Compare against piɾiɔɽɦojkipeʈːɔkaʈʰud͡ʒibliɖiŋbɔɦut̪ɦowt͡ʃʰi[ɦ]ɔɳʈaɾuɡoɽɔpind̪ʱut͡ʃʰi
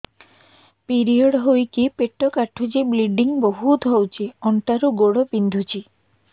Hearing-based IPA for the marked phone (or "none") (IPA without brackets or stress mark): none